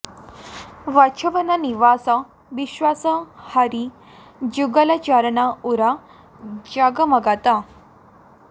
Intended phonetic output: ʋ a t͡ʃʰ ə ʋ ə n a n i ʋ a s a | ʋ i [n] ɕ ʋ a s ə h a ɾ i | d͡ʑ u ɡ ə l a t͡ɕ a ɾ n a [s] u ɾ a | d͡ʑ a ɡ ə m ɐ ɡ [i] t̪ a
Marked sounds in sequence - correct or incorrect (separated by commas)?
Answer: incorrect, incorrect, incorrect